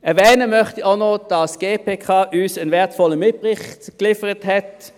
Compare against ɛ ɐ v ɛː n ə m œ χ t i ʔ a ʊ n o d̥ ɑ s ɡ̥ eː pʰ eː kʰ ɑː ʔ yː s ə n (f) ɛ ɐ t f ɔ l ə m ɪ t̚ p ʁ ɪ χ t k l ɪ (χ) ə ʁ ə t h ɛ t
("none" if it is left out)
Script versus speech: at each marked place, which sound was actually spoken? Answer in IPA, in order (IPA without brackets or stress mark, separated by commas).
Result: v, f